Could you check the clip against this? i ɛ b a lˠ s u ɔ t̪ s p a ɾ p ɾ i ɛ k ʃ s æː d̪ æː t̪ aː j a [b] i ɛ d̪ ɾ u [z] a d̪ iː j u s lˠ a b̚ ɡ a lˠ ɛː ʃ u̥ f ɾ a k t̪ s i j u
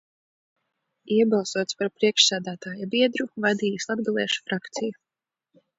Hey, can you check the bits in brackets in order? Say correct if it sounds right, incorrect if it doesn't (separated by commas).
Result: correct, incorrect